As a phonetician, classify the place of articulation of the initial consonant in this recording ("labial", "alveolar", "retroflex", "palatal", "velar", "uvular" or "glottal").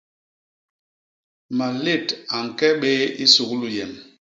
labial